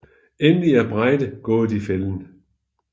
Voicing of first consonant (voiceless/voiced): voiced